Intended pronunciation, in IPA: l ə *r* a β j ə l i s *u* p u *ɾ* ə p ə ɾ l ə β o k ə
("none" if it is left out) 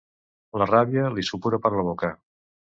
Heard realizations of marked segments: r, u, ɾ

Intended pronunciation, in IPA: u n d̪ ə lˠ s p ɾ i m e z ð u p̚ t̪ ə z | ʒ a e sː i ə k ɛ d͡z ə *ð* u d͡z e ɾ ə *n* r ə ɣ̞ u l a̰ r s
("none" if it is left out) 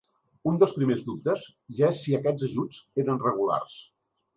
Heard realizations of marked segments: ʒ, n

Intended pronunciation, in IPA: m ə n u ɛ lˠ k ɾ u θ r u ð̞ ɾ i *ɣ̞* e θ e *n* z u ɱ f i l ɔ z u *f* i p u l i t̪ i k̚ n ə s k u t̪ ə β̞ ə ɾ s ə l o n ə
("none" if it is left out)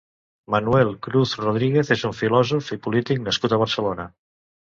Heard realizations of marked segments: ɣ̞, none, f

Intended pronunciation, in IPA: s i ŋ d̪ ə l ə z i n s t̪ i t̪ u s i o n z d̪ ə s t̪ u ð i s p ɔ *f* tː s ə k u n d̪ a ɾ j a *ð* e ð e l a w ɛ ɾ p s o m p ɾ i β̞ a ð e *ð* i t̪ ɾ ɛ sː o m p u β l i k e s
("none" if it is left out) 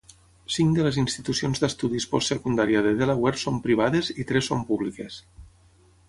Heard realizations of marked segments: s, ð, z

